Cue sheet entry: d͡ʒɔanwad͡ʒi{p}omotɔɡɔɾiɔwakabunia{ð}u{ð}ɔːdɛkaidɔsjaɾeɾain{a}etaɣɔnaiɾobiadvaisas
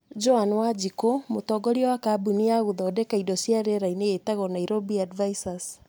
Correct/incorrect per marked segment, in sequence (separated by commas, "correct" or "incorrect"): incorrect, incorrect, correct, incorrect